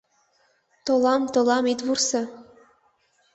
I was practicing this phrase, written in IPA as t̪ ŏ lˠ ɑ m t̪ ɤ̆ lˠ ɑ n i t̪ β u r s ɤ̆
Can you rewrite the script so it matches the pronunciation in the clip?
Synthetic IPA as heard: t̪ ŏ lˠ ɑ m t̪ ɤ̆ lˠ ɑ m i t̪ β u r s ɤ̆